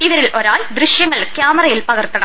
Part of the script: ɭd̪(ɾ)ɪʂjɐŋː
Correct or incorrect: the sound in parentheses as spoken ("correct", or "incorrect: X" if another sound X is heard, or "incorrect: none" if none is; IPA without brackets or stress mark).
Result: correct